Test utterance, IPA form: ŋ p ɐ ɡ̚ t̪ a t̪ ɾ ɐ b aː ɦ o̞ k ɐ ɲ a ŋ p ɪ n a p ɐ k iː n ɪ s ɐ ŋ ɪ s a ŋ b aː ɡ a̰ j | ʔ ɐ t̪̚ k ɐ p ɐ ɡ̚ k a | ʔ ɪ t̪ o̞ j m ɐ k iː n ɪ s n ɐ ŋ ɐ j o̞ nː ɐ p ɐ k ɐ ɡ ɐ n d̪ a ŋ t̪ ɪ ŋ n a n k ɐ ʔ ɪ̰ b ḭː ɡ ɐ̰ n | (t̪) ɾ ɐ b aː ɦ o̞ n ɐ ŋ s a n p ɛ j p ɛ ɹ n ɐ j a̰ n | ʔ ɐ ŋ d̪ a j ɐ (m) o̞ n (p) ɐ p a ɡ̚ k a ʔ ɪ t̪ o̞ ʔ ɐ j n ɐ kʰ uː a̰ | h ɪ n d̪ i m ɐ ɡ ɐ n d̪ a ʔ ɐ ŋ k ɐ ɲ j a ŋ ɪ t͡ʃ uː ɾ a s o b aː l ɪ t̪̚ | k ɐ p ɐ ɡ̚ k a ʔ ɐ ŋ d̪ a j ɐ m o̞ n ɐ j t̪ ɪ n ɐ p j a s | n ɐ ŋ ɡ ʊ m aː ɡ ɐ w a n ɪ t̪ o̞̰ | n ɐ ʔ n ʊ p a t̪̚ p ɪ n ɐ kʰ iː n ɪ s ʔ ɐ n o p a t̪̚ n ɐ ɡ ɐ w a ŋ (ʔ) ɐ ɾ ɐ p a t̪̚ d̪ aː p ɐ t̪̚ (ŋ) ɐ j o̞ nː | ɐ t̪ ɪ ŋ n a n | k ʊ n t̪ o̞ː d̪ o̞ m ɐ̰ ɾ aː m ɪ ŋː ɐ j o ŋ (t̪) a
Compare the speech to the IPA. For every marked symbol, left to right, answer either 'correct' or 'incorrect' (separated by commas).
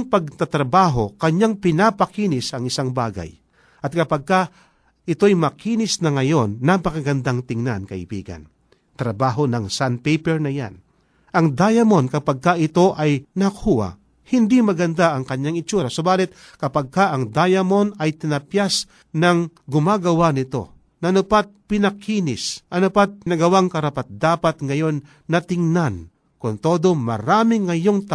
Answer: correct, correct, incorrect, incorrect, correct, correct